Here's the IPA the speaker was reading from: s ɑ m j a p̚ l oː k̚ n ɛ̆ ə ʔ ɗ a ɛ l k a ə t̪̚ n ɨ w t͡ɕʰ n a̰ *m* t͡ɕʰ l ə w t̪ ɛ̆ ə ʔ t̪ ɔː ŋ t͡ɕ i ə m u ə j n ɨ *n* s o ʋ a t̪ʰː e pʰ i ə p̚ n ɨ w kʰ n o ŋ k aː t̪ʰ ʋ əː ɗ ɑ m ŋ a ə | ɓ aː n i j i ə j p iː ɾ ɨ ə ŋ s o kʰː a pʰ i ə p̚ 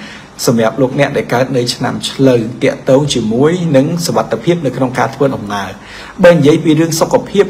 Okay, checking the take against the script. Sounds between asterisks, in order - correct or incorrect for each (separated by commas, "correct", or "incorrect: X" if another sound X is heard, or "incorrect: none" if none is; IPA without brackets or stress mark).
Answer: correct, incorrect: ŋ